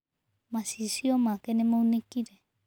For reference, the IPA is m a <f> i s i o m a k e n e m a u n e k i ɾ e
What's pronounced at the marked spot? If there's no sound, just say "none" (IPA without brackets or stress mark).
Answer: s